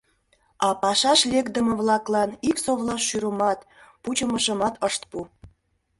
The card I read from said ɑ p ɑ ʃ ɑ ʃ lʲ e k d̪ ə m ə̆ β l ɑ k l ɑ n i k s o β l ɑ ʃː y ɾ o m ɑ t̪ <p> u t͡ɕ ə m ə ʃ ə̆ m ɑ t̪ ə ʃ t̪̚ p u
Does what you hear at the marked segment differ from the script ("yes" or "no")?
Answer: no